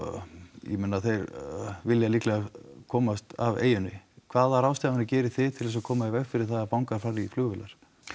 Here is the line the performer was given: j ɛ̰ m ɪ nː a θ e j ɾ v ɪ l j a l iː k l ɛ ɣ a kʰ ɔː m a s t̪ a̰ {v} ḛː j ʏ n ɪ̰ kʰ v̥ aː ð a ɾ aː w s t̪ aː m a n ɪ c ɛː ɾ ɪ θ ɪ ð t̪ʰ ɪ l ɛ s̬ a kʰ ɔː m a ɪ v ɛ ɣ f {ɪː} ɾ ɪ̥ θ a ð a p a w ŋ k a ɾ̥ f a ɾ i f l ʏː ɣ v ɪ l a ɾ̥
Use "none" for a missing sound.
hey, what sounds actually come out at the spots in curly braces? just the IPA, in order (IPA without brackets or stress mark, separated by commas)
v, ɪ